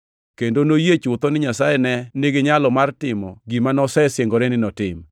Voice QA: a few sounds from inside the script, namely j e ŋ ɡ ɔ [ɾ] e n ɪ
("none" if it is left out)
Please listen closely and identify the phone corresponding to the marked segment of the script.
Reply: ɾ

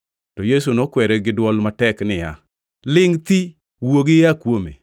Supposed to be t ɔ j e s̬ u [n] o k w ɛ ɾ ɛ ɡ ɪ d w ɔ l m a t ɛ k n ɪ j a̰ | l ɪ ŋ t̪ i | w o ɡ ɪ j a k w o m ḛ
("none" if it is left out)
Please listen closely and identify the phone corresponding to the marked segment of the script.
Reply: n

